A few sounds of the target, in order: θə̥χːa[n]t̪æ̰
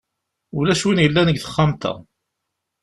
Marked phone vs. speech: incorrect: m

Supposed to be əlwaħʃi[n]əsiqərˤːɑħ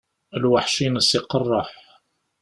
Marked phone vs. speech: correct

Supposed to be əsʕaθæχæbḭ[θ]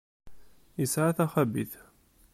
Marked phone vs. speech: correct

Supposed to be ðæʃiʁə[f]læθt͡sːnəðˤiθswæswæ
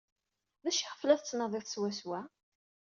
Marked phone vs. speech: correct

